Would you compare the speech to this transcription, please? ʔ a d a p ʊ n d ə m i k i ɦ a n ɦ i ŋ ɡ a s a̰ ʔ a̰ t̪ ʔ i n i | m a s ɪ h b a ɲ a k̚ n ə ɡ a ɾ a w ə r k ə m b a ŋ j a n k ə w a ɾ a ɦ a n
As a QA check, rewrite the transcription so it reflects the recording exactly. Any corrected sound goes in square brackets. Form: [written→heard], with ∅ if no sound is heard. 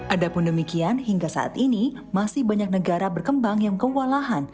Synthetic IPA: ʔ a d a p ʊ n d ə m i k i [ɦ→∅] a n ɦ i ŋ ɡ a s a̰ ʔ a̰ t̪ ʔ i n i | m a s ɪ h b a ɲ a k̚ n ə ɡ a ɾ a [w→b] ə r k ə m b a ŋ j a [n→ŋ] k ə w a [ɾ→l] a ɦ a n